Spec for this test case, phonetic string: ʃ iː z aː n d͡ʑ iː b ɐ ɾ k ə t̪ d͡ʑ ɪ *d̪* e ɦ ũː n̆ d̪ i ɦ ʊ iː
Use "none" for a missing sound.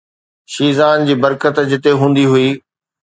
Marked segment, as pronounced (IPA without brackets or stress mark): t̪